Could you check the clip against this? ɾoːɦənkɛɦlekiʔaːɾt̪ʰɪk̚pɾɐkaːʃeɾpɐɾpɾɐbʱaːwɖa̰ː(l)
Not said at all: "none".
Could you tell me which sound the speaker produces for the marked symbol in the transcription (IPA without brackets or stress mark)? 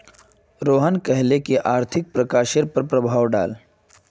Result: l